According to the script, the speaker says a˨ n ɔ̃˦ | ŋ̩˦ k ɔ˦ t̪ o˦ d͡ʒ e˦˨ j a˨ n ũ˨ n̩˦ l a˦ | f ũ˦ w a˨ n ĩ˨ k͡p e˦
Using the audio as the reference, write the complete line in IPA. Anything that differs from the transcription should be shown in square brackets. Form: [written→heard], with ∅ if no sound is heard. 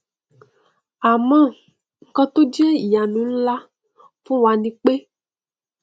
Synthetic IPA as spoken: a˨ [n→m] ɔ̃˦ | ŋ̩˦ k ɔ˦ t̪ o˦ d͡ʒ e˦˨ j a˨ n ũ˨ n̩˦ l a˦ | f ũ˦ w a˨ n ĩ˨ k͡p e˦